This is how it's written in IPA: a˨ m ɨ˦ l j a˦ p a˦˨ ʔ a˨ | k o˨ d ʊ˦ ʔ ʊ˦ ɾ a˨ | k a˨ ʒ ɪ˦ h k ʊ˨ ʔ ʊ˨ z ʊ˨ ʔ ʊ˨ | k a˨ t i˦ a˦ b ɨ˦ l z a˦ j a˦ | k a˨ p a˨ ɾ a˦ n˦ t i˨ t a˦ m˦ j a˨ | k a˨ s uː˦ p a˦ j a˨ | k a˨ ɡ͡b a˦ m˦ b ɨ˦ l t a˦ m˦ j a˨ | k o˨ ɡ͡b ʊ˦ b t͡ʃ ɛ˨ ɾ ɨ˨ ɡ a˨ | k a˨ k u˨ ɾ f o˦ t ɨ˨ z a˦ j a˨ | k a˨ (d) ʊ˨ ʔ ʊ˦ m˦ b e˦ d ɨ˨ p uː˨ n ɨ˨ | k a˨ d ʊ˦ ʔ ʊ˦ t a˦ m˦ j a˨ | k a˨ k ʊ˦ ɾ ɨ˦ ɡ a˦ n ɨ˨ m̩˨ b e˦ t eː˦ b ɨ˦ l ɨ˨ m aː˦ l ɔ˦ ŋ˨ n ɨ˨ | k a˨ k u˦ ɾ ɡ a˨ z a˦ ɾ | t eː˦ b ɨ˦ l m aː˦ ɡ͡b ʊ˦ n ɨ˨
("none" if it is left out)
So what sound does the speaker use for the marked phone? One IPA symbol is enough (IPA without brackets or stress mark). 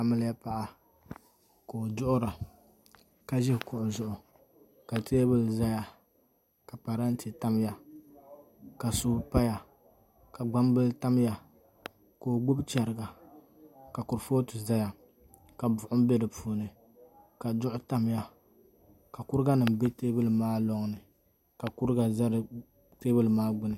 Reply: b